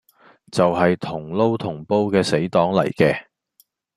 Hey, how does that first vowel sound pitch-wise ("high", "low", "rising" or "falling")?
low